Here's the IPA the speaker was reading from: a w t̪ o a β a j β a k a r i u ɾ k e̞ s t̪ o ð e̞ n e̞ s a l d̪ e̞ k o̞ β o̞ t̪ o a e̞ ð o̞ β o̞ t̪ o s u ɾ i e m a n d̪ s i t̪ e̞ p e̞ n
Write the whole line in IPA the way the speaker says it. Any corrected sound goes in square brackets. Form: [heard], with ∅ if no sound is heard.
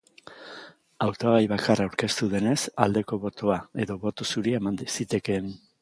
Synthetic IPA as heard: a w t̪ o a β a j β a k a r [a] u ɾ k e̞ s t̪ [u] ð e̞ n e̞ s a l d̪ e̞ k o̞ β o̞ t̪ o a e̞ ð o̞ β o̞ t̪ o s u ɾ i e m a n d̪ s i t̪ e̞ [k] e̞ n